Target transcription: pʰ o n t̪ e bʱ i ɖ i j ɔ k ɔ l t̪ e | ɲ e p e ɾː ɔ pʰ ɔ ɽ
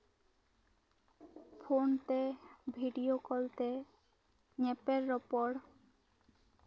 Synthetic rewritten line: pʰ o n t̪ e bʱ i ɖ i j o k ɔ l t̪ e | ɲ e p e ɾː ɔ p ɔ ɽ